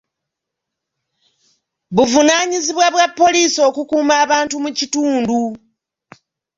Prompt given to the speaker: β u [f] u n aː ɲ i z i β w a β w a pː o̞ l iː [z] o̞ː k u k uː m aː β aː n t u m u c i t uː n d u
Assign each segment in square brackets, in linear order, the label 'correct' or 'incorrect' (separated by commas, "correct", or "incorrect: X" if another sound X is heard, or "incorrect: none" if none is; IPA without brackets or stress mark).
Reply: incorrect: v, incorrect: s